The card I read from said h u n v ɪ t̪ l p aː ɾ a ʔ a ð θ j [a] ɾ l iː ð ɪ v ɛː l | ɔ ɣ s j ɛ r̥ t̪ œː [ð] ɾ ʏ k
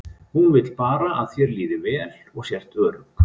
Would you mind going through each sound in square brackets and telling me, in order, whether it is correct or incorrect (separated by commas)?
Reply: incorrect, incorrect